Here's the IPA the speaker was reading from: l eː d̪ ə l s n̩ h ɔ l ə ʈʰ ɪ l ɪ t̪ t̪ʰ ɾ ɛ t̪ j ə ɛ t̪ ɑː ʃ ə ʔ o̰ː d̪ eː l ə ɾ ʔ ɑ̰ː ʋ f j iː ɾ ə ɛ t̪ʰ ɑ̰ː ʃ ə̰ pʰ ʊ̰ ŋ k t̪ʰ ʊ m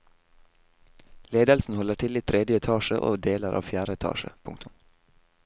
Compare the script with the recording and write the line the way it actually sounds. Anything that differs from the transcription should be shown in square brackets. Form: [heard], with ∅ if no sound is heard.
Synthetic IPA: l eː d̪ ə l s n̩ h ɔ l ə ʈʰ ɪ l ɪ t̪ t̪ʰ ɾ ɛ [d̪] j ə ɛ [t̪ʰ] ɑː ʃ ə ʔ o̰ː d̪ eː l ə ɾ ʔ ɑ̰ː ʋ f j [æː] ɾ ə ɛ t̪ʰ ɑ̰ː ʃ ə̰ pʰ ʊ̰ ŋ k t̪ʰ ʊ m